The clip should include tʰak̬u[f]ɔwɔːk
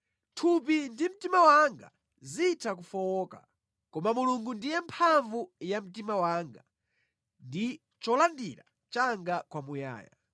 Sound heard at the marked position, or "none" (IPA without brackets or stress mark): f